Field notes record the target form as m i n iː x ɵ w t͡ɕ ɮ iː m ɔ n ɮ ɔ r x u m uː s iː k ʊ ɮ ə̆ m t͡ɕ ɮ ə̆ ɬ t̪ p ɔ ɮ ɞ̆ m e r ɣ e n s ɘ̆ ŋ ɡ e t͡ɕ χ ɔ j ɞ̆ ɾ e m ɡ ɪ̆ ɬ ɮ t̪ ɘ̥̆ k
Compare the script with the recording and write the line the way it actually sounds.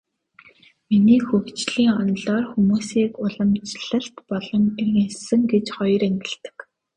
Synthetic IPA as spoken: m i n iː x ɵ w t͡ɕ ɮ iː ŋ ɔ n ɮ ɔː r x u m uː s iː k ʊ ɮ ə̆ m t͡ɕ ɮ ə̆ ɬ t̪ p ɔ ɮ ɞ̆ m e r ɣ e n s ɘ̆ ŋ ɡ e t͡ɕ χ ɔ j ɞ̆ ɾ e ŋ ɡ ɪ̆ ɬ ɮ t̪ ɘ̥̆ k